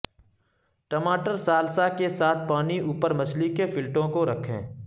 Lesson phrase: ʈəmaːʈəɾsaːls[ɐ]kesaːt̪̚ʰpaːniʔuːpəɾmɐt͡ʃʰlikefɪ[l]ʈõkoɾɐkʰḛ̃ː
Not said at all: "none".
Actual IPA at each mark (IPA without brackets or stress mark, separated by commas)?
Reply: a, l